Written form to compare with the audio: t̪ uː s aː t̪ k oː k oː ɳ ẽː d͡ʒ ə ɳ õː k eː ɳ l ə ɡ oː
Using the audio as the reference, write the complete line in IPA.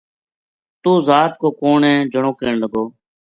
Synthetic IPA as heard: t̪ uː z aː t̪ k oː k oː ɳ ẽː d͡ʒ ə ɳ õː k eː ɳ l ə ɡ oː